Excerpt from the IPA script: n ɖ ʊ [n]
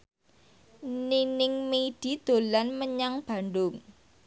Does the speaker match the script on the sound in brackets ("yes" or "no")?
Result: no